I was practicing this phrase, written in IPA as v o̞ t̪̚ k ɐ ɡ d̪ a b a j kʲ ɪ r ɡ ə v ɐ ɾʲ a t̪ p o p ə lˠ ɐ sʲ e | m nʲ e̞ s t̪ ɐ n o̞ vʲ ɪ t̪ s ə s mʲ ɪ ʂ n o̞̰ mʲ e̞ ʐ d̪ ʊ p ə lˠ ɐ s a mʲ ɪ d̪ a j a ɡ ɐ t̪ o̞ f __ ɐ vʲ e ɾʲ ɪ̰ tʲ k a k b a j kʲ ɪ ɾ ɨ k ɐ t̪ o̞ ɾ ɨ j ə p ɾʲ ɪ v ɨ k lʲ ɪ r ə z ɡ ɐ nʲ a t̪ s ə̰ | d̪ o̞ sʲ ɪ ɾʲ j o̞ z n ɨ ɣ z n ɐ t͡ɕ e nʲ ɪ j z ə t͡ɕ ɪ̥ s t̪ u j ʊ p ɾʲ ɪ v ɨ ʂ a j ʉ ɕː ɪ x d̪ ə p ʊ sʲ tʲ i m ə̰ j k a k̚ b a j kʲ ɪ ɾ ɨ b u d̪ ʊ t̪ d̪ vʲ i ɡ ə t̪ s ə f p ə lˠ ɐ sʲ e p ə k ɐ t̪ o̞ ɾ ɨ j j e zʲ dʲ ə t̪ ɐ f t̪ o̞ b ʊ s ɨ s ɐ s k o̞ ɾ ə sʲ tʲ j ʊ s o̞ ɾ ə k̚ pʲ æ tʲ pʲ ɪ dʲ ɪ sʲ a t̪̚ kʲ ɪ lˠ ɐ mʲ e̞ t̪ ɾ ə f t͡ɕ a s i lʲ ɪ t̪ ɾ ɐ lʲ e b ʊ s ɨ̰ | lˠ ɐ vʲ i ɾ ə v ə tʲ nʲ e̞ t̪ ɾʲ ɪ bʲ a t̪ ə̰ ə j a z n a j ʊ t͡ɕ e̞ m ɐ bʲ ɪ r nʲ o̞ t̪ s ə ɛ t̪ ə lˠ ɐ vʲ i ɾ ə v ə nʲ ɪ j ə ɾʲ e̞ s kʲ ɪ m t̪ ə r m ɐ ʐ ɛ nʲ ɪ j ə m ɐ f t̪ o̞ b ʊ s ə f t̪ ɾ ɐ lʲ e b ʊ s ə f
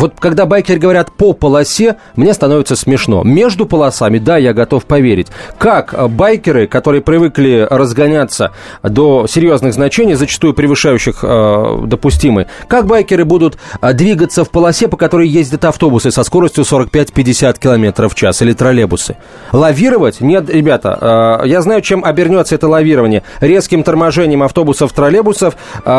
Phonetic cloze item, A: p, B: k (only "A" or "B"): A